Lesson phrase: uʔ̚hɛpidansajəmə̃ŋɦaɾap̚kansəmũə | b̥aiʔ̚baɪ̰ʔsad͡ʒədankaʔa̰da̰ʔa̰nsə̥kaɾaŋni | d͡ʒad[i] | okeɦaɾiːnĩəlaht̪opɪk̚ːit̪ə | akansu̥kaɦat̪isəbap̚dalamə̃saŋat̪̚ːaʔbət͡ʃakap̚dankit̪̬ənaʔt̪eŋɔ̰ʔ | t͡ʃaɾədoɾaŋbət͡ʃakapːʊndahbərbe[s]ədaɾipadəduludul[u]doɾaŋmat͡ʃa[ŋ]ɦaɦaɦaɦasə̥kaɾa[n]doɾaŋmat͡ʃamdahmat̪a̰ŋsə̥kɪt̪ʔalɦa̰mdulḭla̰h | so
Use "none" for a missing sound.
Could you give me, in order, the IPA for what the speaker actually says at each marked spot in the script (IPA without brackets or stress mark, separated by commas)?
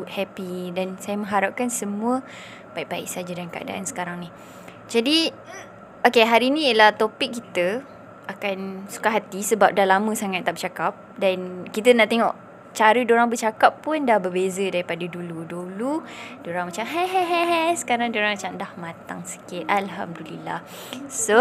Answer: i, z, u, m, ŋ